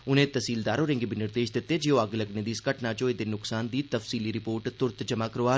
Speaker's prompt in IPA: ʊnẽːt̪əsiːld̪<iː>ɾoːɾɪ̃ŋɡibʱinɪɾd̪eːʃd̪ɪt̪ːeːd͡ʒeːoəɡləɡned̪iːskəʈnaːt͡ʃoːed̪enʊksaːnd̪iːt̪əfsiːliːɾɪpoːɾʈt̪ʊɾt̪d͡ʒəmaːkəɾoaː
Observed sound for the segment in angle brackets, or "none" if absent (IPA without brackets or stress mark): aː